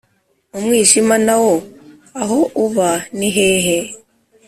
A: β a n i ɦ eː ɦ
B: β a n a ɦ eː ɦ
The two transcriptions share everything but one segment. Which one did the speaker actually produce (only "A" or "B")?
A